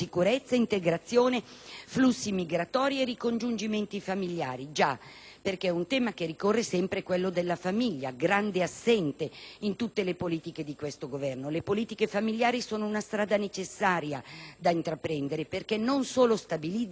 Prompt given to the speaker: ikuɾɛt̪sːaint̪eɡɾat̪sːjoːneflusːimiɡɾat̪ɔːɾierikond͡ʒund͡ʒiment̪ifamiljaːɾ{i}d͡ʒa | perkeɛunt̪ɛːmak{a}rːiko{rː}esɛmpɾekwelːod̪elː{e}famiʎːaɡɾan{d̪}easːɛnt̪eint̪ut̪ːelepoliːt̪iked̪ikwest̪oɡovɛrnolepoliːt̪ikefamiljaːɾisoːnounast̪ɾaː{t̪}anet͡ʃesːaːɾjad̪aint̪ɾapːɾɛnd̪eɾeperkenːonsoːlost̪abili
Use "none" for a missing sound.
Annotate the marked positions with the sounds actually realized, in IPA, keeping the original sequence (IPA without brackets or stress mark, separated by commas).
i, e, rː, a, d̪, d̪